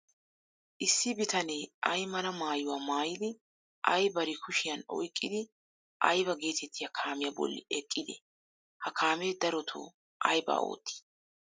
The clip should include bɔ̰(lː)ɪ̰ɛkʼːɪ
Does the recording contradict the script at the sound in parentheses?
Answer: no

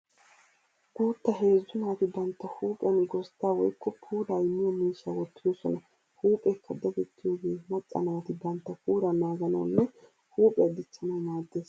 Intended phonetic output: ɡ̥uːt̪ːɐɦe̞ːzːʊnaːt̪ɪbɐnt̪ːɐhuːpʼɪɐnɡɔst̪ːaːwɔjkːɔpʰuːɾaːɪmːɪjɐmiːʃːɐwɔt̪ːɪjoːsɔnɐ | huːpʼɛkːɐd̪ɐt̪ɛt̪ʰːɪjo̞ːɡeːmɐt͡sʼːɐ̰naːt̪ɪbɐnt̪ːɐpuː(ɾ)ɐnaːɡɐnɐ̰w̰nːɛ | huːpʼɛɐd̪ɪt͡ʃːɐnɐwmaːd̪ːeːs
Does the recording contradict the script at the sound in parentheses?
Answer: no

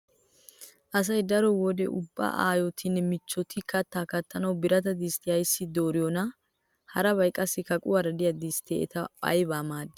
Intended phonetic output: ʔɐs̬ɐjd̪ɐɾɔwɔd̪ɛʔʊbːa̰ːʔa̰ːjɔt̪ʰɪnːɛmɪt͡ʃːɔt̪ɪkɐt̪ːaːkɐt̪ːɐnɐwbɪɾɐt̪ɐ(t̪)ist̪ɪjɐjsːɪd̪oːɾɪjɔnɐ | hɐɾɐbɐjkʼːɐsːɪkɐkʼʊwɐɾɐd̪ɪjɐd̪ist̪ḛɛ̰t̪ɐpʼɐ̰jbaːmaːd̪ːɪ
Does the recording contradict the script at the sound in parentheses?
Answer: yes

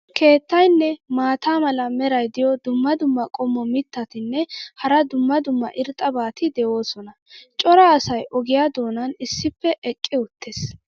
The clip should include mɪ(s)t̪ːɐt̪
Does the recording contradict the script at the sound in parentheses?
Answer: yes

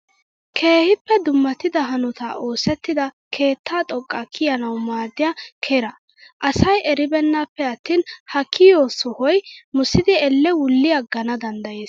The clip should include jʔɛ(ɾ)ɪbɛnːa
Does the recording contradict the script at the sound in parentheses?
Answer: no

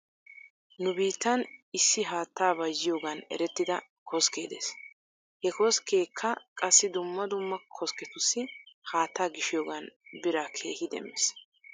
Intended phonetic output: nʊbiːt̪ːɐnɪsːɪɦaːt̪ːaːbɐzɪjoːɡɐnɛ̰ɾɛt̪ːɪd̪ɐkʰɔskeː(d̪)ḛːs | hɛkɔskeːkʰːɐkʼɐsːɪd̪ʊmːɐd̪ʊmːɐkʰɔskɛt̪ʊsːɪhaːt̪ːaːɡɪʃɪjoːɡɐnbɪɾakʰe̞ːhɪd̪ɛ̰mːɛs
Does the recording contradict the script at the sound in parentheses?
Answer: no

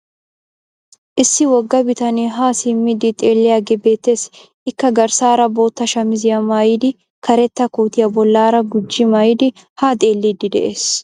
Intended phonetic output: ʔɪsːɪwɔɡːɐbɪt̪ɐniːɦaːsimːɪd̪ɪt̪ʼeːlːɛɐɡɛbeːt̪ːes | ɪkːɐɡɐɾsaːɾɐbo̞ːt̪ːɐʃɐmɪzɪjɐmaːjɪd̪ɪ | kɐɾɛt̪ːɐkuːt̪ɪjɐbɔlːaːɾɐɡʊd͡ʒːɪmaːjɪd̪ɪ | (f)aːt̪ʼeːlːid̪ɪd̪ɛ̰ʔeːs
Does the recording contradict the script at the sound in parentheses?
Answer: yes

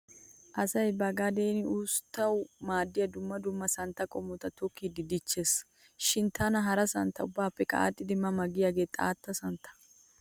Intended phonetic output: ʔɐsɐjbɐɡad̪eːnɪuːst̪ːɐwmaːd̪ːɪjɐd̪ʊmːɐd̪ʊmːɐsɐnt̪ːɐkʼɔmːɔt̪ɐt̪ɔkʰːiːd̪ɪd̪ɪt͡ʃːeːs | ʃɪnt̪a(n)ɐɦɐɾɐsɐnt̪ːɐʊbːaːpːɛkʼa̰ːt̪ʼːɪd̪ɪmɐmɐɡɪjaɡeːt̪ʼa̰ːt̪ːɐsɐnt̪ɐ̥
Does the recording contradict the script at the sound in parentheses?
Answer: no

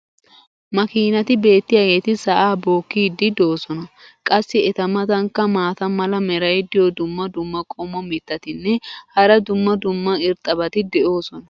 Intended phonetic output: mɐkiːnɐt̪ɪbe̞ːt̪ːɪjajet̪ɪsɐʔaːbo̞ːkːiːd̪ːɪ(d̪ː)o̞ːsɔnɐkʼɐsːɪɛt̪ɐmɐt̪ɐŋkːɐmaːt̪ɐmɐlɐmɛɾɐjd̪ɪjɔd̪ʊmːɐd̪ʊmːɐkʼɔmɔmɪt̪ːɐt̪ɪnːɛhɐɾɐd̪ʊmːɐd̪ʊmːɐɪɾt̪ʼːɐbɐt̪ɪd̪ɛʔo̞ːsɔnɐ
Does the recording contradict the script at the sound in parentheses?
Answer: yes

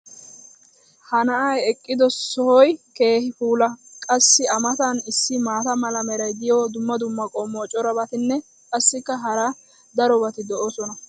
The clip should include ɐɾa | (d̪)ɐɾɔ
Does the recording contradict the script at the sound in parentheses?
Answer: no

